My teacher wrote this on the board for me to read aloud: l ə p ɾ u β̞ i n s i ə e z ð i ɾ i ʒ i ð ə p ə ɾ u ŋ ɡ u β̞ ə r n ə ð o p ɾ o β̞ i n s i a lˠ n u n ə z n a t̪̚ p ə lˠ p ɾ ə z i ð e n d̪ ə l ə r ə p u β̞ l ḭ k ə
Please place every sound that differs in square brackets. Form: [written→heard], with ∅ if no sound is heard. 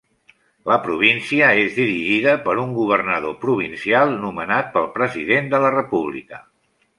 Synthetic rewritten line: l ə p ɾ u β̞ i n s i ə e z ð i ɾ i ʒ i ð ə p ə ɾ u ŋ ɡ u β̞ ə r n ə ð o p ɾ [o→u] β̞ i n s i a lˠ n u [n→m] ə [z→∅] n a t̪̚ p ə lˠ p ɾ ə z i ð e n d̪ ə l ə r ə p u β̞ l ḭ k ə